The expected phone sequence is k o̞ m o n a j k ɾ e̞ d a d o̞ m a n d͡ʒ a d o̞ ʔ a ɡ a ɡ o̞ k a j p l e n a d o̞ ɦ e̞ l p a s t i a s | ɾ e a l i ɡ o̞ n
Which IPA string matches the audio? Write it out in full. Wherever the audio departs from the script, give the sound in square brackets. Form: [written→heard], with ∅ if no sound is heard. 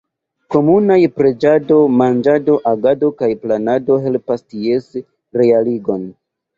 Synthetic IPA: k o̞ m [o→u] n a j [k→p] ɾ e̞ [d→d͡ʒ] a d o̞ m a n d͡ʒ a d o̞ ʔ a ɡ a [ɡ→d] o̞ k a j p l [e→a] n a d o̞ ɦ e̞ l p a s t i [a→e] s | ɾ e a l i ɡ o̞ n